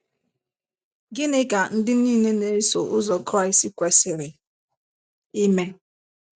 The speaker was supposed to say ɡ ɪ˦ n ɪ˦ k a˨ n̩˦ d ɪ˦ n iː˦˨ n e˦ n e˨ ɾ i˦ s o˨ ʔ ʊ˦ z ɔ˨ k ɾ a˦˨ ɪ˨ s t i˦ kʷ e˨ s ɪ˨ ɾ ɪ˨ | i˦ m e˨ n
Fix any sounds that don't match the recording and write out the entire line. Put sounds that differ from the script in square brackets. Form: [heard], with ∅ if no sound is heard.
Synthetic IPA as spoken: ɡ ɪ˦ n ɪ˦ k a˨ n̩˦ d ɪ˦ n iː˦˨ n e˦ n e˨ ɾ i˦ s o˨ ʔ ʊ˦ z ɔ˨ k ɾ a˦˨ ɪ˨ s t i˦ kʷ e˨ s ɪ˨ ɾ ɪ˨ | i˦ m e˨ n

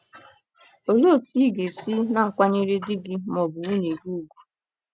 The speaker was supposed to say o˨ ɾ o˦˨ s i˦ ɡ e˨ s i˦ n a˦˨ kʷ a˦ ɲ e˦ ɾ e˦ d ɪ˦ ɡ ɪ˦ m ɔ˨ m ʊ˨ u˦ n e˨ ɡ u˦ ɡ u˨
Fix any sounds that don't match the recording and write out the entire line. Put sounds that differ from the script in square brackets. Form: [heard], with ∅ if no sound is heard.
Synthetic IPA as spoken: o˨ [l] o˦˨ [t] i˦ ɡ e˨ s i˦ n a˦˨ kʷ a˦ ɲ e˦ ɾ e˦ d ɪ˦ ɡ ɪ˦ m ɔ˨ [b] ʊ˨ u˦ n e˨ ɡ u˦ ɡ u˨

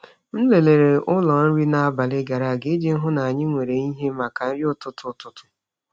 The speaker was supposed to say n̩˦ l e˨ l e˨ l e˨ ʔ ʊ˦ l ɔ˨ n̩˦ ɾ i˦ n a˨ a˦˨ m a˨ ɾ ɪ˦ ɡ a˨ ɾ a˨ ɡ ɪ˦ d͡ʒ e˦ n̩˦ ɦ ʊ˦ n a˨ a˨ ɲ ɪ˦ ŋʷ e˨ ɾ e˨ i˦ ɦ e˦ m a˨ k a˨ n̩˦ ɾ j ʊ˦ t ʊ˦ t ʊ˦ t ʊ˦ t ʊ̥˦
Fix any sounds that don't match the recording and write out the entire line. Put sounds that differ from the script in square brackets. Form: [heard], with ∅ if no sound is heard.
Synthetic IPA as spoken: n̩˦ l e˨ l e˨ [ɾ] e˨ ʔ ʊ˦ l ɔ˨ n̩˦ ɾ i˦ n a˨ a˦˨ [b] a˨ [l] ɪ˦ ɡ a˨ ɾ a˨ ɡ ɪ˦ d͡ʒ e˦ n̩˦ ɦ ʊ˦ n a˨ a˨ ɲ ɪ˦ ŋʷ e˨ ɾ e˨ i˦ ɦ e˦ m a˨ k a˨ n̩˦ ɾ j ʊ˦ t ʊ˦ t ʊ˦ t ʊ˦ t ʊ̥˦

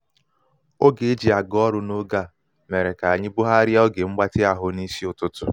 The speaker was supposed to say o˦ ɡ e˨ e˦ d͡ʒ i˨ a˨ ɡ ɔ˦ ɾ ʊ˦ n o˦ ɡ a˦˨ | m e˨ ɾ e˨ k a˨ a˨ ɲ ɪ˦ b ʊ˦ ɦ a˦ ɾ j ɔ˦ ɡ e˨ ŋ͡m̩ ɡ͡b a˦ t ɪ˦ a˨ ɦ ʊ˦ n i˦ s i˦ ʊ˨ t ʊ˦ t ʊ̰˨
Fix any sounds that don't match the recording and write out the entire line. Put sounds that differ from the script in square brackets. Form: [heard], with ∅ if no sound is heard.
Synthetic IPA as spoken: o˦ ɡ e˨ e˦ d͡ʒ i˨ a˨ ɡ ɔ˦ ɾ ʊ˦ n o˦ ɡ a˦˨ | m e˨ ɾ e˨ k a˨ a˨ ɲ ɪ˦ b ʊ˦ ɦ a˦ ɾ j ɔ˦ ɡ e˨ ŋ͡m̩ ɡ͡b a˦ t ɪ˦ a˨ ɦ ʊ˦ n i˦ s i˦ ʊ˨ t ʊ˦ t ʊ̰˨

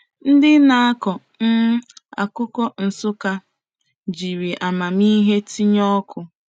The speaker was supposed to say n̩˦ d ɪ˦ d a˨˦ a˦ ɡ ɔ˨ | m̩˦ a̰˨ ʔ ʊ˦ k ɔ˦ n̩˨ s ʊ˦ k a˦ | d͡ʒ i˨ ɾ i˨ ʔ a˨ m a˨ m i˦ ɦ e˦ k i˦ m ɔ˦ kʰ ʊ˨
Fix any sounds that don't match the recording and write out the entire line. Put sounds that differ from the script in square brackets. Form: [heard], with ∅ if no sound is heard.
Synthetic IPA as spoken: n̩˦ d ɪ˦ [n] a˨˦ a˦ [k] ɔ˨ | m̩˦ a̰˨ [k] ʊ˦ k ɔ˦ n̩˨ s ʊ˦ k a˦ | d͡ʒ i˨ ɾ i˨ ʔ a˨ m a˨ m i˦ ɦ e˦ [t] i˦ [ɲ] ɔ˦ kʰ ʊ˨

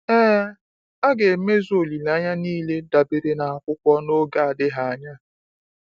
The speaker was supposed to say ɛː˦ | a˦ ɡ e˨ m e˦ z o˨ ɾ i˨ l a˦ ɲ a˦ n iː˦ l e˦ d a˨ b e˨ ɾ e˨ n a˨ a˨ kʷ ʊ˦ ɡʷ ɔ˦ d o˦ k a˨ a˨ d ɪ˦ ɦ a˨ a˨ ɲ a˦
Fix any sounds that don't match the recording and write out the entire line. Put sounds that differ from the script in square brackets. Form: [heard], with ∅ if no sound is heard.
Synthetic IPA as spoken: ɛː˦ | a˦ ɡ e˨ m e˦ z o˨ [l] i˨ l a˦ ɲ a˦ n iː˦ l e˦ d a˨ b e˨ ɾ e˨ n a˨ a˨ kʷ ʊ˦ [kʷ] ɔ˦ [n] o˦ [ɡ] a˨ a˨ d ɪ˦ ɦ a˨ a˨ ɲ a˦

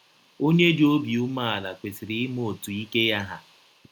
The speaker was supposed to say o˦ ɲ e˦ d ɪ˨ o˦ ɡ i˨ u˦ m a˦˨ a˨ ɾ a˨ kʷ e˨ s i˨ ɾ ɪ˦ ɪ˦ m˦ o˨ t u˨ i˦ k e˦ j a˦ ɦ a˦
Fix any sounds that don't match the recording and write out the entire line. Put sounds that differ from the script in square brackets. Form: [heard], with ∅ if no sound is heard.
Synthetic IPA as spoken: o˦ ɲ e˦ d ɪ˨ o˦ [b] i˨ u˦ m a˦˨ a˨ [l] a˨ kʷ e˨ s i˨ ɾ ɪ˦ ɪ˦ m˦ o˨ t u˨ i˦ k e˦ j a˦ ɦ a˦

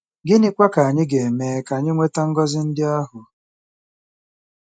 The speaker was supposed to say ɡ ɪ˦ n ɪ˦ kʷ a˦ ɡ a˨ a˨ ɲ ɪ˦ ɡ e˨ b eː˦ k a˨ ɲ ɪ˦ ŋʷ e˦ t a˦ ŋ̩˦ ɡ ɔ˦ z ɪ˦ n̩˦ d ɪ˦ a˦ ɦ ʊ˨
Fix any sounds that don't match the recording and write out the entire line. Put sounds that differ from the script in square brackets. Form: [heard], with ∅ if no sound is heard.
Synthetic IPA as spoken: ɡ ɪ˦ n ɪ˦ kʷ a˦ [k] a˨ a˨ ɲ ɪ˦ ɡ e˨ [m] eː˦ k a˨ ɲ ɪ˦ ŋʷ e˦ t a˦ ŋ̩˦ ɡ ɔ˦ z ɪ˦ n̩˦ d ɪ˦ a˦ ɦ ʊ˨

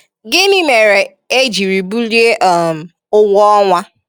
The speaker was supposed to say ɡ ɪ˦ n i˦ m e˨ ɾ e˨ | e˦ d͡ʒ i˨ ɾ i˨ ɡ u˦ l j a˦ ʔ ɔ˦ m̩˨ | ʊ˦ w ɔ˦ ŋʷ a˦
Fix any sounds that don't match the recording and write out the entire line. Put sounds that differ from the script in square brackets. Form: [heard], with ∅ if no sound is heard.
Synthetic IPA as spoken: ɡ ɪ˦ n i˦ m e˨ ɾ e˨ | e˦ d͡ʒ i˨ ɾ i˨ [b] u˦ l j [e˦] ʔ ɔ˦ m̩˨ | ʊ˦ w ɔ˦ ŋʷ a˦

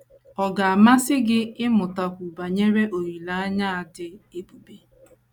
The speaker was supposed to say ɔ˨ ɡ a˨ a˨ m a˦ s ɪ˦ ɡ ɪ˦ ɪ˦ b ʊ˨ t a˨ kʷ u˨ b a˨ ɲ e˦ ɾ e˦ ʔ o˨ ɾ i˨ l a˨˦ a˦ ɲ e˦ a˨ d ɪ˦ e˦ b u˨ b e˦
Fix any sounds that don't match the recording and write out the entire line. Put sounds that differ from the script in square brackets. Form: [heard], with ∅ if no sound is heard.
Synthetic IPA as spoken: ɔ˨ ɡ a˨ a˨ m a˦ s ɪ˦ ɡ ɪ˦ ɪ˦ [m] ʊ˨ t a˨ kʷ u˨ b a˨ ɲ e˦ ɾ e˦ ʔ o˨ ɾ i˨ l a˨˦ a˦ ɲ [a˦] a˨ d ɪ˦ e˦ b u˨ b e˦

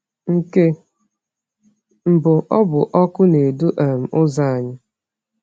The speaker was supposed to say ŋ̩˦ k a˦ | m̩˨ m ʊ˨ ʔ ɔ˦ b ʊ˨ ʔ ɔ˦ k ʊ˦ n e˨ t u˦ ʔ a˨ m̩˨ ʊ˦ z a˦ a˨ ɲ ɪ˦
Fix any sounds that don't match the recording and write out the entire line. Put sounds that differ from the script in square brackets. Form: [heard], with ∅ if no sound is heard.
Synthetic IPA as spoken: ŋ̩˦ k [e˦] | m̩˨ [b] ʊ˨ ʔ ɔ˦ b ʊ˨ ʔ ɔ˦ k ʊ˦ n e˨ [d] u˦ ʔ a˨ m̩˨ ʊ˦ z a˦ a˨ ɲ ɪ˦

